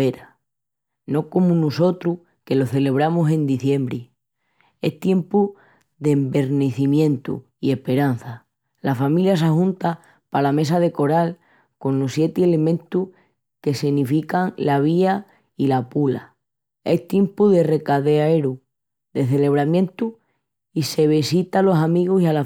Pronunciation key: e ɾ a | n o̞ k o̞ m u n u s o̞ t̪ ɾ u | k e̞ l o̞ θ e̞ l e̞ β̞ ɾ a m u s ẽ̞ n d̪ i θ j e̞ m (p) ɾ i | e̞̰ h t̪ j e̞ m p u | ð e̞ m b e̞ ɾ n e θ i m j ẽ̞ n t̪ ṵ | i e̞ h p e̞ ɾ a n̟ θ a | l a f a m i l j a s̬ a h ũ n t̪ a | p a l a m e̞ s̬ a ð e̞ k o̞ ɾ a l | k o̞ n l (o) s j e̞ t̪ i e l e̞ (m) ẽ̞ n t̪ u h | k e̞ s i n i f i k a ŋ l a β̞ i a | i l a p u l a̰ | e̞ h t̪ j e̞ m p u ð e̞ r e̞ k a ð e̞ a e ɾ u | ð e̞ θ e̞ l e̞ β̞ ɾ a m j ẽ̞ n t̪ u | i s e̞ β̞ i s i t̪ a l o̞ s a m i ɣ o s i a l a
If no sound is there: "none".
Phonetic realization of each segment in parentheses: b, o, m

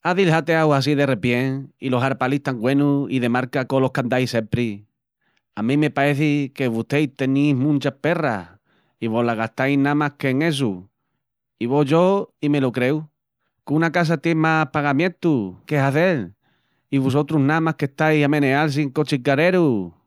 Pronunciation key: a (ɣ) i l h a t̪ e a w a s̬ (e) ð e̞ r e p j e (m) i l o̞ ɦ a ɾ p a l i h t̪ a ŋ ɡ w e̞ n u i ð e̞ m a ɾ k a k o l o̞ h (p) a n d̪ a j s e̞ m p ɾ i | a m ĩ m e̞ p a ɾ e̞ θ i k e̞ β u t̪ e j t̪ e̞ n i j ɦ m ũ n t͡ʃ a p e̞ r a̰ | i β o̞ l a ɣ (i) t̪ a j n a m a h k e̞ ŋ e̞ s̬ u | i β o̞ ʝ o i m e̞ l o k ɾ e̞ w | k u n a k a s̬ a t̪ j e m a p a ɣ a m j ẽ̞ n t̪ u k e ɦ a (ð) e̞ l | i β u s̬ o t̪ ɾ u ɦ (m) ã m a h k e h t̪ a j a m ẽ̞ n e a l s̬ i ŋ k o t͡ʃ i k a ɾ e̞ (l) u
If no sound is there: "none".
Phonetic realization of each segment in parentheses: ð, i, ŋ, k, a, θ, n, ɾ

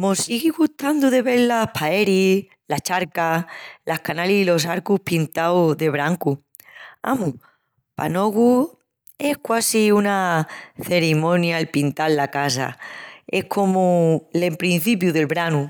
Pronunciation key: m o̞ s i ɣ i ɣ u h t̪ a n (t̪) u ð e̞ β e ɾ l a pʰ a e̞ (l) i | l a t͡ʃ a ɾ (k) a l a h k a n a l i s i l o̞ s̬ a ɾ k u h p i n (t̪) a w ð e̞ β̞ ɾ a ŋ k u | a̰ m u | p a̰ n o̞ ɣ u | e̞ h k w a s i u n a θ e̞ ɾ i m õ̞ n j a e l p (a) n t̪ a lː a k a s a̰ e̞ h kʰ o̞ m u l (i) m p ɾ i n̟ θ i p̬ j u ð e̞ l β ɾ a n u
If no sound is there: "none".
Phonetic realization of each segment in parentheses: d̪, ɾ, k, t̪, i, e

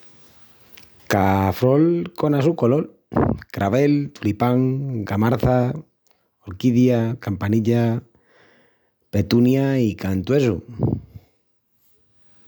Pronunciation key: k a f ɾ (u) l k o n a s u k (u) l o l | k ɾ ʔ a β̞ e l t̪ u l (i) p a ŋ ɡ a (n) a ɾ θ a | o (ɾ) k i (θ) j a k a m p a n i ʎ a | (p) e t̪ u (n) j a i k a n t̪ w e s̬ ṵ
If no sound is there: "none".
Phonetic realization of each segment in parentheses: o, o, i, m, ɾ, ð, p, n

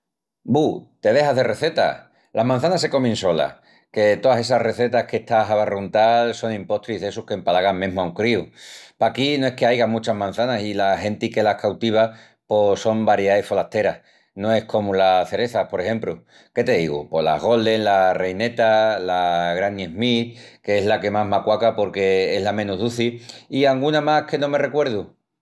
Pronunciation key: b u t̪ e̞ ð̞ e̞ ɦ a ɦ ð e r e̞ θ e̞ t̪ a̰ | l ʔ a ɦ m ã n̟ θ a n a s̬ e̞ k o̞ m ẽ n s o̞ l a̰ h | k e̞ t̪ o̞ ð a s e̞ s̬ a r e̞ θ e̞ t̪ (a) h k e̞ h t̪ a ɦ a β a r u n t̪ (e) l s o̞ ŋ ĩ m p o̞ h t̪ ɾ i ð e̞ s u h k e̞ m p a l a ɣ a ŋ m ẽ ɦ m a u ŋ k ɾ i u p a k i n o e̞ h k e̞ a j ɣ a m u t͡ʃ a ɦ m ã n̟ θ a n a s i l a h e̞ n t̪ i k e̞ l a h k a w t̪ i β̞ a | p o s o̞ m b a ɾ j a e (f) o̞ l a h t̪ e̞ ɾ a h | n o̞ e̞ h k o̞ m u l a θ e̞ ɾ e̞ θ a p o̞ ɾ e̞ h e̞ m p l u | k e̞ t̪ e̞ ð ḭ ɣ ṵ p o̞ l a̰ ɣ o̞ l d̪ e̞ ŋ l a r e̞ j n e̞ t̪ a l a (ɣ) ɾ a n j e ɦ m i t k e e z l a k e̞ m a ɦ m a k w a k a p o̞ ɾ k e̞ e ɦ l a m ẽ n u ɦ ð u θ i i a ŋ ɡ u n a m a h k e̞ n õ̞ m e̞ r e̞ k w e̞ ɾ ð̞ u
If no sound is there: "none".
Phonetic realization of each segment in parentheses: a, a, f, ɣ

